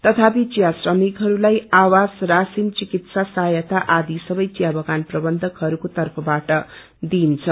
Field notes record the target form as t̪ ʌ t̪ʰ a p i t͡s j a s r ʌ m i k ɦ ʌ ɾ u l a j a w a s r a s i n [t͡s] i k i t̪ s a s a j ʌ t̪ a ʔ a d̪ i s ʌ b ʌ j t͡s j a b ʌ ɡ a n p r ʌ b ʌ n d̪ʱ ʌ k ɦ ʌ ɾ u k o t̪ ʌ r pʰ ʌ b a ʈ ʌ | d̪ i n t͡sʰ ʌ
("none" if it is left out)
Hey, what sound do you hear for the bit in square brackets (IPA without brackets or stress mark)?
t͡s